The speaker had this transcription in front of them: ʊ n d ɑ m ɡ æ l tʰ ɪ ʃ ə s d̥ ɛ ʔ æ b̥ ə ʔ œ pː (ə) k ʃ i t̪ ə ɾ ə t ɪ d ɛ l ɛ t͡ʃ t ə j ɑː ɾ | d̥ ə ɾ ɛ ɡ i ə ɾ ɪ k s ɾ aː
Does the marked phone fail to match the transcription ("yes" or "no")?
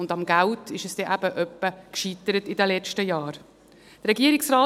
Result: no